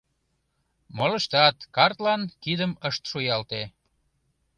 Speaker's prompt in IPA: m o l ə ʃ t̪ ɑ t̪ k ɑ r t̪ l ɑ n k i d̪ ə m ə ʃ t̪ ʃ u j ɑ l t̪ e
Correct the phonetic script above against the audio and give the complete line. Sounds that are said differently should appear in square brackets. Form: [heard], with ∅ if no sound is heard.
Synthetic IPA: m o l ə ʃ t̪ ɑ t̪ k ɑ r t̪ l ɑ n k i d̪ ə m ə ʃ t̪ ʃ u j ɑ l t̪ e